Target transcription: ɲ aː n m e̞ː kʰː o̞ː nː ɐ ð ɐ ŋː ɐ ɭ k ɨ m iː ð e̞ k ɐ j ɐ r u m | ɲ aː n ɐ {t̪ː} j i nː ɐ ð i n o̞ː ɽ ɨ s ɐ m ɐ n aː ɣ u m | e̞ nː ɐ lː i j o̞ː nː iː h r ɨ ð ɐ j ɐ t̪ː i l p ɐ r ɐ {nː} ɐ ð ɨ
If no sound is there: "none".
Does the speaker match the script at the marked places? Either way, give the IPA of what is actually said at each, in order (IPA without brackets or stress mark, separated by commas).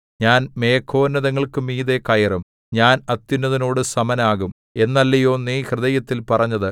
t̪ː, ɲː